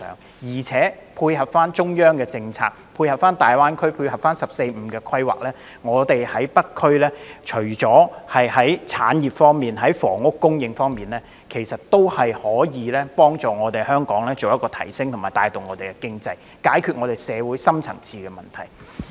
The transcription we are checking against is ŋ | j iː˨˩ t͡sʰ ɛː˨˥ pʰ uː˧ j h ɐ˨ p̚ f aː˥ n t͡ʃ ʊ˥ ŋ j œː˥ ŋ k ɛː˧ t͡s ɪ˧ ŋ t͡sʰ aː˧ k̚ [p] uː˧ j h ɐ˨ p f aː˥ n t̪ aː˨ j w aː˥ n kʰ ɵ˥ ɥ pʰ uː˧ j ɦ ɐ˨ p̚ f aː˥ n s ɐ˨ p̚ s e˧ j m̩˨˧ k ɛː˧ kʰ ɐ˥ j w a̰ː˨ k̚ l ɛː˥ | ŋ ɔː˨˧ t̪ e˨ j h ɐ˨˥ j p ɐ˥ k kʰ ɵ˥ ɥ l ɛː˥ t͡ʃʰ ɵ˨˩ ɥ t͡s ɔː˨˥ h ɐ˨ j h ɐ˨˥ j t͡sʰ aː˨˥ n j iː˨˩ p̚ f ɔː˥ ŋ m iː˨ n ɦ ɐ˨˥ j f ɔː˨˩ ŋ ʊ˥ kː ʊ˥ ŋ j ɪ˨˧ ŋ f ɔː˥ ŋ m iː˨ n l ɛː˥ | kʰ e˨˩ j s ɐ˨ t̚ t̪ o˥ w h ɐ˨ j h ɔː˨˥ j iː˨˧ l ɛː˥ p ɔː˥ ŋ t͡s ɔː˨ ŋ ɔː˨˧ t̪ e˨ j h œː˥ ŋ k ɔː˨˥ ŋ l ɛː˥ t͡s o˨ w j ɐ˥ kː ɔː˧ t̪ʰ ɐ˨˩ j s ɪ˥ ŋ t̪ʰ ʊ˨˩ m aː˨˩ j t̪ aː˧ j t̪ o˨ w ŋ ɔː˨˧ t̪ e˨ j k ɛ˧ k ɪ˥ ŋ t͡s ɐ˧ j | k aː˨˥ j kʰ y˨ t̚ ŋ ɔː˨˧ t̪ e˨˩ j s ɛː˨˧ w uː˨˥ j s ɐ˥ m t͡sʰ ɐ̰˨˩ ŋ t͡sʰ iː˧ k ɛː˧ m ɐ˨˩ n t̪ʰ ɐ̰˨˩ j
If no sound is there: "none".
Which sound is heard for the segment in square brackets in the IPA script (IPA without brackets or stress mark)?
pʰ